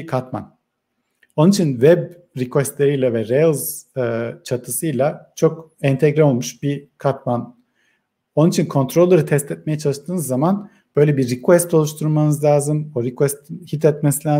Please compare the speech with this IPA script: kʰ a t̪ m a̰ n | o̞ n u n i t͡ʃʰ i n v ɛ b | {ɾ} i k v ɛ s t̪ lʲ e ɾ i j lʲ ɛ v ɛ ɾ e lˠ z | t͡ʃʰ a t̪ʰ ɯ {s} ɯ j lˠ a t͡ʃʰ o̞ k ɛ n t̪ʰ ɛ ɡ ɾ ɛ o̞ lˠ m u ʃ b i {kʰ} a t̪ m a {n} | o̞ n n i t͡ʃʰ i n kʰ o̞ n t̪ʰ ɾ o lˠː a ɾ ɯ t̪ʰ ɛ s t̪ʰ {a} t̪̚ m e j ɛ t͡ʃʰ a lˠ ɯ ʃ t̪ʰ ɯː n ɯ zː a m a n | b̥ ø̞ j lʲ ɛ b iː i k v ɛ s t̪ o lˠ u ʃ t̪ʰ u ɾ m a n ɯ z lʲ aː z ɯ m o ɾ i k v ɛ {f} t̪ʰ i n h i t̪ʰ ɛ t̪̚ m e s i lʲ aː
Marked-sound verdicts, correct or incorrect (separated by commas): correct, correct, correct, correct, incorrect, incorrect